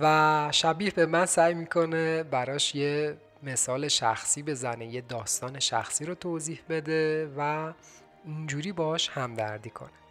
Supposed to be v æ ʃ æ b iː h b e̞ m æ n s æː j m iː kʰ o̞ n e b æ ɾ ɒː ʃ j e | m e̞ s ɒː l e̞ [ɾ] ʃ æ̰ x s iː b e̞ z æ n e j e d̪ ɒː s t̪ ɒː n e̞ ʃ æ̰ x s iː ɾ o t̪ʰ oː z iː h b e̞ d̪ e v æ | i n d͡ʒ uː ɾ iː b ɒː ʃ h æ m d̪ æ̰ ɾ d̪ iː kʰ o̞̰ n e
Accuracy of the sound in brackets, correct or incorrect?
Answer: incorrect